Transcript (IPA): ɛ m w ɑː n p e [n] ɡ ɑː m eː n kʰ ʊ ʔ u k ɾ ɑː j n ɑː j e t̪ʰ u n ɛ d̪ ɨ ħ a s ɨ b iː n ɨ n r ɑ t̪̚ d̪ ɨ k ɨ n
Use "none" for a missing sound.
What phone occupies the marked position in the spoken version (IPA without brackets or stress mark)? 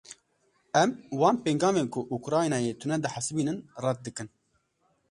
ŋ